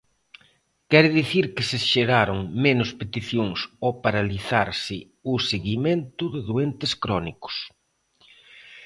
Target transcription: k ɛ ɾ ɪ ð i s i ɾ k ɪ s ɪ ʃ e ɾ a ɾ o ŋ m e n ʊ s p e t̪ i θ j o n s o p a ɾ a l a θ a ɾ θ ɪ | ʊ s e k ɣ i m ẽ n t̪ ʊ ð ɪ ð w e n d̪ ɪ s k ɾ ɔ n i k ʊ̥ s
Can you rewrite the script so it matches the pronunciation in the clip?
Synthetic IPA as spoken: k ɛ ɾ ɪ ð i θ i ɾ k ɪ s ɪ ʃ e ɾ a ɾ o ŋ m e n ʊ s p e t̪ i θ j o ŋ s o p a ɾ a l i θ a ɾ s ɪ | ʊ s e ɣ i m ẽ n t̪ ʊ ð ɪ ð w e n t̪ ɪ s k ɾ ɔ n i k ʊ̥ s